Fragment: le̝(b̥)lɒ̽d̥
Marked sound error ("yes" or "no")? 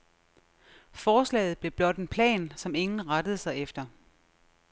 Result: no